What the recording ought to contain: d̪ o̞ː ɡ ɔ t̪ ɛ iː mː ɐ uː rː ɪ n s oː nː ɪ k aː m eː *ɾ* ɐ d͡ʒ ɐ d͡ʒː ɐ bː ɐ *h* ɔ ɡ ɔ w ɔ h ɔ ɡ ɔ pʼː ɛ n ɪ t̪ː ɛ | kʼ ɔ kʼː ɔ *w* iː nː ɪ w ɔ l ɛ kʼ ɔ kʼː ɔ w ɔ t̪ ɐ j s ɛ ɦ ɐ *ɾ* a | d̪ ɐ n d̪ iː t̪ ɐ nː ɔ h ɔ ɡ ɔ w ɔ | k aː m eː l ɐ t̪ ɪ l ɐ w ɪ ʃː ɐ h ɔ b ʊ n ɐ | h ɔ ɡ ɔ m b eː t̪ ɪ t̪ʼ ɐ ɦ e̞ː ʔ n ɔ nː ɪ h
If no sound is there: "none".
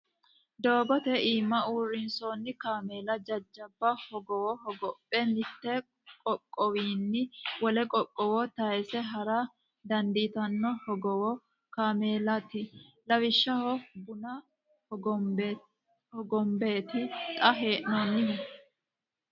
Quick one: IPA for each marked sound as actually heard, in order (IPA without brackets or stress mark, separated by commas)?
l, h, w, ɾ